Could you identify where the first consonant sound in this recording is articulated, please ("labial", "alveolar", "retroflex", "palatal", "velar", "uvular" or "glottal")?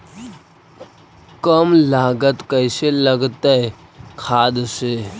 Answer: velar